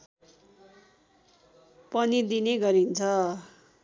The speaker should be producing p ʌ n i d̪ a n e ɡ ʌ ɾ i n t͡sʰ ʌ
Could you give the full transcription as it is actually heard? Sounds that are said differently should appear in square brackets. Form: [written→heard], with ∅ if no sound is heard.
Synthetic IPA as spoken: p ʌ n i d̪ [a→i] n e ɡ ʌ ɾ i n t͡sʰ ʌ